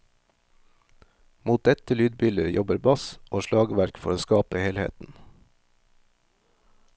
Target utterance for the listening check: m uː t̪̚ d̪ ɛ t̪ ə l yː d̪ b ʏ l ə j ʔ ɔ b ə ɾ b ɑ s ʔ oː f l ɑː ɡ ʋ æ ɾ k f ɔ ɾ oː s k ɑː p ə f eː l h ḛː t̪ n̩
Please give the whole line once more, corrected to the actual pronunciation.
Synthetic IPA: m uː t̪̚ d̪ ɛ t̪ ə l yː d̪ b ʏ l ə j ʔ ɔ b ə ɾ b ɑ s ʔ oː ʃ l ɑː ɡ ʋ æ ɾ k f ɔ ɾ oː s k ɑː p ə h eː l h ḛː t̪ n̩